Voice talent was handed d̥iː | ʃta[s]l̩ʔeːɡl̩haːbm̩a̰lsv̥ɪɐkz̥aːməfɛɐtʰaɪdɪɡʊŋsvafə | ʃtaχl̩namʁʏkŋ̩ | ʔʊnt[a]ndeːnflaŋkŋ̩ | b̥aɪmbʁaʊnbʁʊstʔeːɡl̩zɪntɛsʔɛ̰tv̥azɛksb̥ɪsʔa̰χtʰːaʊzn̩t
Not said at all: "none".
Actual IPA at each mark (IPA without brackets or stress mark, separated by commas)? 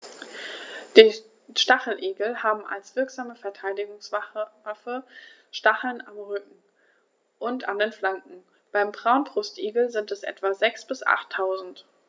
χ, a